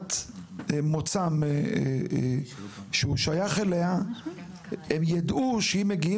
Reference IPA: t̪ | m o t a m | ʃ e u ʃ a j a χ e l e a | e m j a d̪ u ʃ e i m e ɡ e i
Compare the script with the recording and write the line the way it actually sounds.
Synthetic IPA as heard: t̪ | m o t͡s a m | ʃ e u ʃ a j a χ e l e a | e m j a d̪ u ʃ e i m e ɡ i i

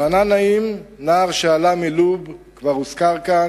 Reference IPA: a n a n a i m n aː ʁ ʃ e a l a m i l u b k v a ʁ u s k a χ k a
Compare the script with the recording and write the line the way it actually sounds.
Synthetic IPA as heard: a n a n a i m n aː ʁ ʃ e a l a m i l u b k v a ʁ u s k a ʁ k a

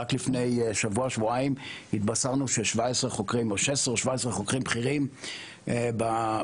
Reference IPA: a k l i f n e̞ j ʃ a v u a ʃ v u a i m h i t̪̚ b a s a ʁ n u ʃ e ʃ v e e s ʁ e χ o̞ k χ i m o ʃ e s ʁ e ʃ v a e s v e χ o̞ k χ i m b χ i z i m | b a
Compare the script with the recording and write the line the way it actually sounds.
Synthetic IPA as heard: a k l i f n e̞ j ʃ a v u a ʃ v u a i m h i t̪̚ b a s a ʁ n u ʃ e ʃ v a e s ʁ e χ o̞ k ʁ i m o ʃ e s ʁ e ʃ v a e s ʁ e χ o̞ k ʁ i m b χ i ʁ i m | b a

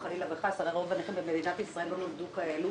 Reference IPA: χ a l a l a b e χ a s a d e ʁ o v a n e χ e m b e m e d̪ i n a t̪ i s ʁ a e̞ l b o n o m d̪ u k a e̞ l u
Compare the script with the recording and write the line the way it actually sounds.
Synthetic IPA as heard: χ a l i l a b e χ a s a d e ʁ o v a n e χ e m b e m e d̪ i n a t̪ i s ʁ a e̞ l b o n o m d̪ u k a e̞ l u

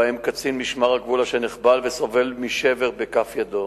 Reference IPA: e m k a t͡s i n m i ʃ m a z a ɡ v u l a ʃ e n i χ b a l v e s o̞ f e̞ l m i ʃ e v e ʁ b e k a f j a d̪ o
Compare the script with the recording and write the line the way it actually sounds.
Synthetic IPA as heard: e m k a t͡s i n m i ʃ m a ʁ a ɡ v u l a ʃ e n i χ b a l v e s o̞ v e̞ l m i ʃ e v e ʁ b e k a f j a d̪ o

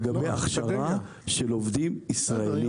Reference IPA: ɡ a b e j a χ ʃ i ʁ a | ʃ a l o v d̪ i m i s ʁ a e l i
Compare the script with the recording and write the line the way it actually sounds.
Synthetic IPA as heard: ɡ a b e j a χ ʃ a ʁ a | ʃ e l o v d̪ i m i s ʁ a e l i

